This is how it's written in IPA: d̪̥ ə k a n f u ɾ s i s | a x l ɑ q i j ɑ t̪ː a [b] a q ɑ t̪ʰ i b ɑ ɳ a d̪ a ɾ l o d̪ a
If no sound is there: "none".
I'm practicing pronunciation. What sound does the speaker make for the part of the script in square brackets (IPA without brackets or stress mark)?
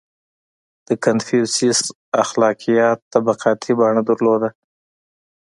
b